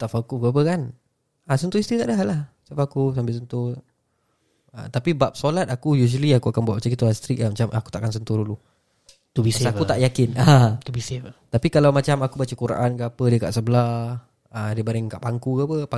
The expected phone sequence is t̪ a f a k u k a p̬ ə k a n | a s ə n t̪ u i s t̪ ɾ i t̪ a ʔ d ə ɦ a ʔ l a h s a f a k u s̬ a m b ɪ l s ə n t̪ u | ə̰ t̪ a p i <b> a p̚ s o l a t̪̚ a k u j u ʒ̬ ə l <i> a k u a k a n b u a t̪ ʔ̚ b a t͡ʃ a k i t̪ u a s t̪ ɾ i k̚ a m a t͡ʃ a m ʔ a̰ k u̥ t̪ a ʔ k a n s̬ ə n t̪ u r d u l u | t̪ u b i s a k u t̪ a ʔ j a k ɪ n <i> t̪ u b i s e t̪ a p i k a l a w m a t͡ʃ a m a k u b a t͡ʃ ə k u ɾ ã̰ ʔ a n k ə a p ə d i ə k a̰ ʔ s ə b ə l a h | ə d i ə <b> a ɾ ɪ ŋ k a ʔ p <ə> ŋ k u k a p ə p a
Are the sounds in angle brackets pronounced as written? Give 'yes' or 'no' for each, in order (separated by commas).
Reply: yes, yes, no, yes, no